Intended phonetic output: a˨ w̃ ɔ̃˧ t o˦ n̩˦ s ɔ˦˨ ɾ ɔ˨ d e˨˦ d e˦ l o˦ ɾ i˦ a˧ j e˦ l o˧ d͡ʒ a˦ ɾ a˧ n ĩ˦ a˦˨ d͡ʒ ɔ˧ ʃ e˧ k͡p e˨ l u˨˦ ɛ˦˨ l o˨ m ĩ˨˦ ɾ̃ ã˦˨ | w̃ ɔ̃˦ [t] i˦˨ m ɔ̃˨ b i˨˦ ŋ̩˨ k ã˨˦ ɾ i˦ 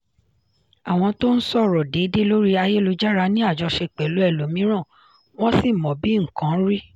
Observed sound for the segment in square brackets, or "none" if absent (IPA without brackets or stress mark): s